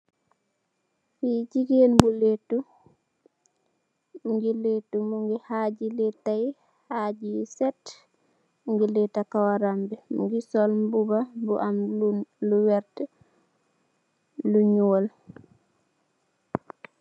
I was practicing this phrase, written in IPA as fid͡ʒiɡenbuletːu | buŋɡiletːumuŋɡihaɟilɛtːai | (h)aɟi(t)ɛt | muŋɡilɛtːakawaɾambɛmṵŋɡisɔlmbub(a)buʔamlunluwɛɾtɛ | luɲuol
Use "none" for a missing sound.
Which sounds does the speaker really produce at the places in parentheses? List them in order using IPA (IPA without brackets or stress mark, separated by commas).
h, s, a